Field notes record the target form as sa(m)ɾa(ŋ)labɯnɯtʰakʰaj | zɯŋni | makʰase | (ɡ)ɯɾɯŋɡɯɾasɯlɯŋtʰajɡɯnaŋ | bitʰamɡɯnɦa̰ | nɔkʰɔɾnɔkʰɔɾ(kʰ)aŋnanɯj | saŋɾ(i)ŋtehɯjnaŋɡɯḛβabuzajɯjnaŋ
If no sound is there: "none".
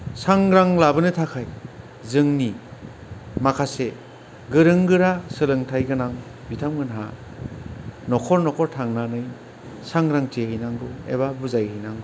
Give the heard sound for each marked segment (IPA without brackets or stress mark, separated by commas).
ŋ, ŋ, ɡ, tʰ, a